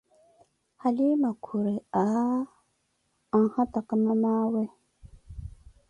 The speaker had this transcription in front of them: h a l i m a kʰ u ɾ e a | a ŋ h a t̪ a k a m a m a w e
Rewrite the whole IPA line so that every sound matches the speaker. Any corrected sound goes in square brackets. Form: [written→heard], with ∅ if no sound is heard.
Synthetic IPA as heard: h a l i m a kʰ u ɾ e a | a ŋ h a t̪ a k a m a m a w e